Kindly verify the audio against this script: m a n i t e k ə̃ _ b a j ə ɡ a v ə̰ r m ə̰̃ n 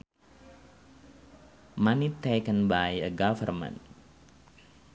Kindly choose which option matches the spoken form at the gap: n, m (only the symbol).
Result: n